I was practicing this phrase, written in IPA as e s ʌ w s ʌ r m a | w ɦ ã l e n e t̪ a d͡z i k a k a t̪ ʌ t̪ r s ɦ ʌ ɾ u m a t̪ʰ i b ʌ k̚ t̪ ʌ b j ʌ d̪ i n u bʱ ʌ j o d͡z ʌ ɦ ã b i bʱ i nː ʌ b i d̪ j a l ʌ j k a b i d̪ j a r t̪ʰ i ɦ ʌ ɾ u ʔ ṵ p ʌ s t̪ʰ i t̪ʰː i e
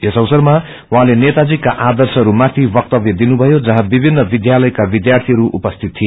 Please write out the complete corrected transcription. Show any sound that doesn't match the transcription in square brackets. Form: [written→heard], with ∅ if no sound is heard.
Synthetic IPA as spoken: e s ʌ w s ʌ r m a | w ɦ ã l e n e t̪ a d͡z i k a [k→ʔ] a [t̪→d̪] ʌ [t̪→∅] r s ɦ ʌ ɾ u m a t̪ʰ i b ʌ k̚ t̪ ʌ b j ʌ d̪ i n u bʱ ʌ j o d͡z ʌ ɦ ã b i bʱ i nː ʌ b i d̪ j a l ʌ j k a b i d̪ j a r t̪ʰ i ɦ ʌ ɾ u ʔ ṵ p ʌ s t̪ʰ i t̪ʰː i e